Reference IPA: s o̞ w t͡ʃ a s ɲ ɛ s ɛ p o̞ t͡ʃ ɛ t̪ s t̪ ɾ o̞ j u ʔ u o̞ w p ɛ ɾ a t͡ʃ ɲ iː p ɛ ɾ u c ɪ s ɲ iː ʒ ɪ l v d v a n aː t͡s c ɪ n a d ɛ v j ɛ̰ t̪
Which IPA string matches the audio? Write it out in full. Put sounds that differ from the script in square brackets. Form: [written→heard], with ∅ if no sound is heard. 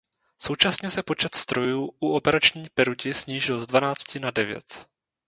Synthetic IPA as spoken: s o̞ w t͡ʃ a s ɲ ɛ s ɛ p o̞ t͡ʃ ɛ t̪ s t̪ ɾ o̞ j [u→uː] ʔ u o̞ [w→∅] p ɛ ɾ a t͡ʃ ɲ iː p ɛ ɾ u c ɪ s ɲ iː ʒ ɪ l [v→z] d v a n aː t͡s c ɪ n a d ɛ v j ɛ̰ t̪